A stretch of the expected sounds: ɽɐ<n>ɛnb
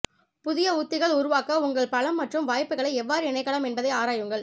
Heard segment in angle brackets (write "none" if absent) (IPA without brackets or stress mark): m